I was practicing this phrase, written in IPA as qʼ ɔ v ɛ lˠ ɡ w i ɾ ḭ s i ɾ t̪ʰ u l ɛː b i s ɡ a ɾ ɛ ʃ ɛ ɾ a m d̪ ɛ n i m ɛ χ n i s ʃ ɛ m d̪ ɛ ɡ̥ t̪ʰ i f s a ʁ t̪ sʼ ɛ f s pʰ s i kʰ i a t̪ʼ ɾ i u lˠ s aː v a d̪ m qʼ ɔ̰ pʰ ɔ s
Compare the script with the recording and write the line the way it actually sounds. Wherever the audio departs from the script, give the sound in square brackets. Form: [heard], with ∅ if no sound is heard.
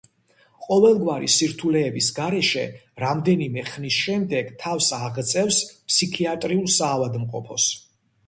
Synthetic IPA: qʼ ɔ v ɛ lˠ ɡ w [a] ɾ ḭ s i ɾ t̪ʰ u l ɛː b i s ɡ a ɾ ɛ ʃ ɛ ɾ a m d̪ ɛ n i m ɛ χ n i s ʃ ɛ m d̪ ɛ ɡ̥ t̪ʰ [a] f s a ʁ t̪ sʼ ɛ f s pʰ s i kʰ i a t̪ʼ ɾ i u lˠ s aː v a d̪ m qʼ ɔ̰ pʰ ɔ s